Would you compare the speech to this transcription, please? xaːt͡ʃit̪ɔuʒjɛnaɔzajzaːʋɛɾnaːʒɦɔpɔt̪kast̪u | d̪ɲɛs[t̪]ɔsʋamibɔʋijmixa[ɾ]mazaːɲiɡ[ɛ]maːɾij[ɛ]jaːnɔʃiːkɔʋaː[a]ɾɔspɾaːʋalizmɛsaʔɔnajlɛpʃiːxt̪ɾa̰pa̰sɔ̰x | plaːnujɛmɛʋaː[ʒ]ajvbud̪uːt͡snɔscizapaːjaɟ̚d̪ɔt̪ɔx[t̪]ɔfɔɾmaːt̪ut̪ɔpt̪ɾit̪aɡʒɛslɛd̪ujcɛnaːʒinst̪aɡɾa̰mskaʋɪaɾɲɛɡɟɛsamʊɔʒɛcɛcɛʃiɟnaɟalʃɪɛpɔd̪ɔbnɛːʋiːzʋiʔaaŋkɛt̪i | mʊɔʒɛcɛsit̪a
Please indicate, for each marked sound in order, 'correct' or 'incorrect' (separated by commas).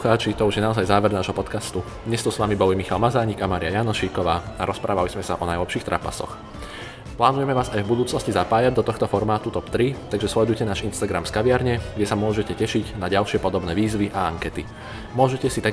correct, incorrect, incorrect, incorrect, correct, incorrect, correct